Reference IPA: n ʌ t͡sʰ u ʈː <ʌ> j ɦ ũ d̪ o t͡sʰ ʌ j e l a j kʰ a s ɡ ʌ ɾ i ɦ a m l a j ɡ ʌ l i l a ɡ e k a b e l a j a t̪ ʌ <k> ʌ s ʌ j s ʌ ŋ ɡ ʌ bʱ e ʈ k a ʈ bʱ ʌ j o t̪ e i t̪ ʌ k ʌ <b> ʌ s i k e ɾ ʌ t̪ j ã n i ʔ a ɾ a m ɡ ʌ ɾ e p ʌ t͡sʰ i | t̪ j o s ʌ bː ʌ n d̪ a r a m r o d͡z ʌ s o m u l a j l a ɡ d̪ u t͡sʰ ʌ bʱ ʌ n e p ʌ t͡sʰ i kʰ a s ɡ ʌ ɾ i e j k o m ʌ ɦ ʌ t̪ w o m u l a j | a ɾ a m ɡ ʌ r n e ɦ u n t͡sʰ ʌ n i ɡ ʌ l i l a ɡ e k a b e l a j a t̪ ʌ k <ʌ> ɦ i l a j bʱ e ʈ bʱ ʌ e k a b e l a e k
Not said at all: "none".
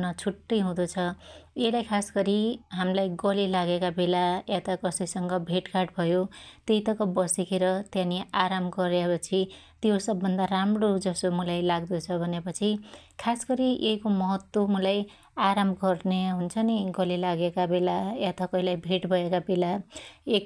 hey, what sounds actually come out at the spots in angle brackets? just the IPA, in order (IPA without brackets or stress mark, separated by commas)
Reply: ʌ, k, b, ʌ